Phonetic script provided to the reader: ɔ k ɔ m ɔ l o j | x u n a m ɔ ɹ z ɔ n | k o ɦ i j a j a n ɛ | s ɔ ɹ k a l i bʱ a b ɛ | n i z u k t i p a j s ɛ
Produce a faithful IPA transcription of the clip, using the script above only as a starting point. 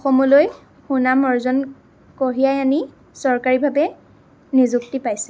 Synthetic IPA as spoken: ɔ x ɔ m ɔ l o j | x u n a m ɔ ɹ z ɔ n | k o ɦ i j a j a n i | s ɔ ɹ k a ɹ i bʱ a b ɛ | n i z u k t i p a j s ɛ